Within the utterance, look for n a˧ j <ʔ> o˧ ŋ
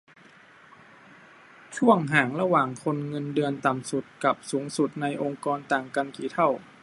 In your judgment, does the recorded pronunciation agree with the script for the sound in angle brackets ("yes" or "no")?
yes